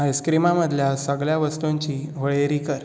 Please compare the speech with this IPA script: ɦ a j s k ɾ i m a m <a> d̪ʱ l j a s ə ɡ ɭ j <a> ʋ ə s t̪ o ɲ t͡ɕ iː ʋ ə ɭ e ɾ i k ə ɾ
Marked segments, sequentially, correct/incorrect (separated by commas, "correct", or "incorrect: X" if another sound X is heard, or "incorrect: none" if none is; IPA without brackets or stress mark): incorrect: ə, correct